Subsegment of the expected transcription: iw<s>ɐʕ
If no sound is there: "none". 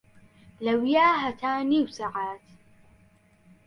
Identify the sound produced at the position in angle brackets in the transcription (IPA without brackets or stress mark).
s